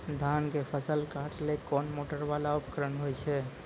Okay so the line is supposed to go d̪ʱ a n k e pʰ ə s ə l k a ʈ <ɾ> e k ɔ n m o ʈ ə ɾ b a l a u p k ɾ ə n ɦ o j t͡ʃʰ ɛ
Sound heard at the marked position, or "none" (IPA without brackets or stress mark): l